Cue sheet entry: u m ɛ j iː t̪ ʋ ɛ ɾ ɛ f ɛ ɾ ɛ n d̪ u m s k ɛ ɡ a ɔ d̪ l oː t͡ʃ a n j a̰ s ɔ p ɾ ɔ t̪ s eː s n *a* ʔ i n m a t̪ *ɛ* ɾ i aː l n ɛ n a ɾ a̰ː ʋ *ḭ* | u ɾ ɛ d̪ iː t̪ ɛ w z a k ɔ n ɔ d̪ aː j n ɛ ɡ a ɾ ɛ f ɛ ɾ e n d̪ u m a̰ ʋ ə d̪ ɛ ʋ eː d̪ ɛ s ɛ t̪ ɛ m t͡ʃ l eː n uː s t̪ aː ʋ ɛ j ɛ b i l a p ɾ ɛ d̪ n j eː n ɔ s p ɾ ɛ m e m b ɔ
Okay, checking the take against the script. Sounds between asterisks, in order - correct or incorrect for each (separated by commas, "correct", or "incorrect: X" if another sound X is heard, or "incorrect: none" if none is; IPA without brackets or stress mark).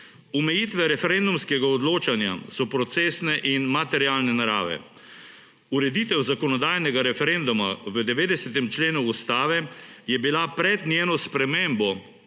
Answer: incorrect: ɛ, correct, incorrect: ɛ̰